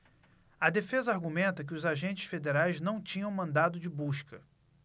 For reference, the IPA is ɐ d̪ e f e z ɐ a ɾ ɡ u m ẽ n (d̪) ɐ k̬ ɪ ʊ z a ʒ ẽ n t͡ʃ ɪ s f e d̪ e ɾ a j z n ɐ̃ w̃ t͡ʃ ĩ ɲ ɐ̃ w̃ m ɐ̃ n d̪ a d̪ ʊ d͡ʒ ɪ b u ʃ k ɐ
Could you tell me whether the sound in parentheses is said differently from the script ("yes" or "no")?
yes